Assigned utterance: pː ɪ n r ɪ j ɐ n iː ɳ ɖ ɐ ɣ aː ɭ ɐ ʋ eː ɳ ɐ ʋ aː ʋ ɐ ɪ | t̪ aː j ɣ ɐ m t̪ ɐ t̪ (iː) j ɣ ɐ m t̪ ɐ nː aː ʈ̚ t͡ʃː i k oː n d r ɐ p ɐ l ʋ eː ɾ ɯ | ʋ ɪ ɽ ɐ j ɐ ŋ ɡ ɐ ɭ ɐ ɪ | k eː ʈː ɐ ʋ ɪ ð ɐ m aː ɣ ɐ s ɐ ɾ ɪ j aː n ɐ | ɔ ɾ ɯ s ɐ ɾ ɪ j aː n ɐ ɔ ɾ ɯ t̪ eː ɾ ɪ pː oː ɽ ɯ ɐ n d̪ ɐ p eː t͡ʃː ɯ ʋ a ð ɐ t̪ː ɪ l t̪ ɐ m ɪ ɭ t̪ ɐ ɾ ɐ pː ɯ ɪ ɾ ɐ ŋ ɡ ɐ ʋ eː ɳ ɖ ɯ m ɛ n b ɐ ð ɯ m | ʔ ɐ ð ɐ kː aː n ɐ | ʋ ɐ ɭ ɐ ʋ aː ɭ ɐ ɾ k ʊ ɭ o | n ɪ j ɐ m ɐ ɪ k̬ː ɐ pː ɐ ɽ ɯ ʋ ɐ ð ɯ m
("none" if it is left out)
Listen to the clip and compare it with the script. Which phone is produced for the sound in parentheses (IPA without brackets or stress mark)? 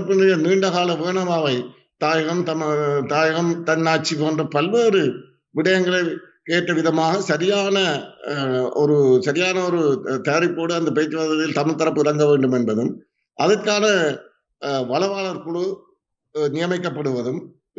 aː